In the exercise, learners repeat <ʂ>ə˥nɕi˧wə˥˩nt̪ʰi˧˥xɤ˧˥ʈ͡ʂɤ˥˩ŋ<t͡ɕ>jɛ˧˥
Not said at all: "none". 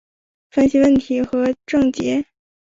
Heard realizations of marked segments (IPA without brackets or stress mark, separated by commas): f, t͡ɕ